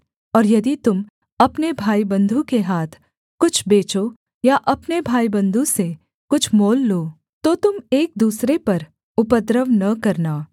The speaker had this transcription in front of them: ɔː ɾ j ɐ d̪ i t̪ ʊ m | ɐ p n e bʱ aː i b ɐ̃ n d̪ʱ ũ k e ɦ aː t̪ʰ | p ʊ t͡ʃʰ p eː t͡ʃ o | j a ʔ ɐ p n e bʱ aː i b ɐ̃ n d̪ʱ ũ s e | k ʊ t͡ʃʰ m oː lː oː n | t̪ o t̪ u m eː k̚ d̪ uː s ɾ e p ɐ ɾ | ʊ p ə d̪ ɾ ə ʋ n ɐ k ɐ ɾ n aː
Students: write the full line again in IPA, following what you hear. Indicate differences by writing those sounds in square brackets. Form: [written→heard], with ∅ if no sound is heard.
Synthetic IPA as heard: ɔː ɾ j ɐ d̪ i t̪ ʊ m | ɐ p n e bʱ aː i b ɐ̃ n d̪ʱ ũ k e ɦ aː t̪ʰ | [p→k] ʊ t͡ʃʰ [p→b] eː t͡ʃ o | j a ʔ ɐ p n e bʱ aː i b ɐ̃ n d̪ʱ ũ s e | k ʊ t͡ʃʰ m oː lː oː [n→∅] | t̪ o t̪ [u→ʊ] m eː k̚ d̪ uː s ɾ e p ɐ ɾ | ʊ p ə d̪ ɾ ə ʋ n ɐ k ɐ ɾ n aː